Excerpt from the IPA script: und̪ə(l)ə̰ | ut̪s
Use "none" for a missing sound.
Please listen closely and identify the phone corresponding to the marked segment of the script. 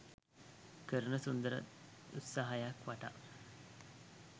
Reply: ɾ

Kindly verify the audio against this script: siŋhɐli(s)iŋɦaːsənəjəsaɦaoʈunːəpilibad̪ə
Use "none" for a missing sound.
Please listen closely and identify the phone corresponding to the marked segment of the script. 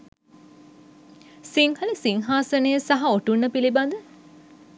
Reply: s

